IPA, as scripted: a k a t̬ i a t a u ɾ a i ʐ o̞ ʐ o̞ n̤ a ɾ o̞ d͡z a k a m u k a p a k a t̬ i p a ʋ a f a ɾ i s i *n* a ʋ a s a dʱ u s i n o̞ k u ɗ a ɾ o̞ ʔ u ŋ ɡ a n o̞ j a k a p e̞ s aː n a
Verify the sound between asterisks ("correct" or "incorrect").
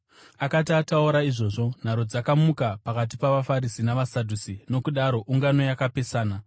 correct